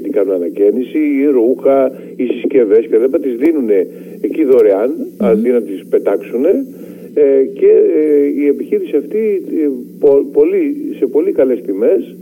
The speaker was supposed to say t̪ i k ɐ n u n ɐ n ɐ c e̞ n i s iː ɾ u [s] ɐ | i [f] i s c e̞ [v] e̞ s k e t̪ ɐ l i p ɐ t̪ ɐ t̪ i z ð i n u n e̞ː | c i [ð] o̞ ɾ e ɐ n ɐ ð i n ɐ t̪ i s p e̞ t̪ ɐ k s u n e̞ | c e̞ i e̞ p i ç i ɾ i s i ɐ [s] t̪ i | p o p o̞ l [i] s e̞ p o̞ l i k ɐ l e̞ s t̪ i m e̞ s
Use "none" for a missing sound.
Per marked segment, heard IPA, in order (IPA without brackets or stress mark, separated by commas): x, s, v, ð, f, i